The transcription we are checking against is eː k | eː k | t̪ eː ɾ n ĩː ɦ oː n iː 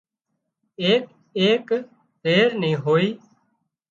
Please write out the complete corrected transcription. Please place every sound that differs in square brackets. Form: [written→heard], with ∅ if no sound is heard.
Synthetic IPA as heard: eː k | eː k | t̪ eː ɾ n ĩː ɦ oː [n→∅] iː